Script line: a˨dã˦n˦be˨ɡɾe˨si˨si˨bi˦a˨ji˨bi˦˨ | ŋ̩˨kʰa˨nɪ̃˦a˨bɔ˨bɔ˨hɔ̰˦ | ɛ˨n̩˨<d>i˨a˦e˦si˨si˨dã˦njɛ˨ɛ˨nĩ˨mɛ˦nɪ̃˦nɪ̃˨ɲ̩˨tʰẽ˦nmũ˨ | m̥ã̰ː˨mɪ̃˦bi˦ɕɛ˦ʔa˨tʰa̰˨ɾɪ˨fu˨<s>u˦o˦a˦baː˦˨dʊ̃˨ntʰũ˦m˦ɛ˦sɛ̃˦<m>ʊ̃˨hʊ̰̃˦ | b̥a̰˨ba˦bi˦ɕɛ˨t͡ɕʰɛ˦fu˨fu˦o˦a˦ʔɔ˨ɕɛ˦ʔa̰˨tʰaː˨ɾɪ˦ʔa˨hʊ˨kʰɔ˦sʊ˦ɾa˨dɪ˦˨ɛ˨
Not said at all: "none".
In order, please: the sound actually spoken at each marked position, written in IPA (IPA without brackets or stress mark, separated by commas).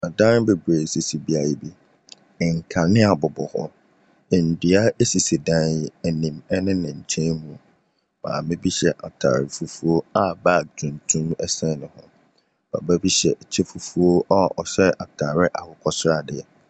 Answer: d, f, n